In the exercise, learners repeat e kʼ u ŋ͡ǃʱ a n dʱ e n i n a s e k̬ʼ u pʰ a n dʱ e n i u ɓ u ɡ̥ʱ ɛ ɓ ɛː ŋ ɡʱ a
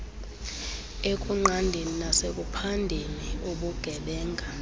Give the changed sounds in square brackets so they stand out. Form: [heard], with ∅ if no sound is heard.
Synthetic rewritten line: e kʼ u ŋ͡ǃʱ a n dʱ e n i n a s e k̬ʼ u pʰ a n dʱ e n i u ɓ u ɡ̥ʱ ɛ ɓ ɛː ŋ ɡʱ a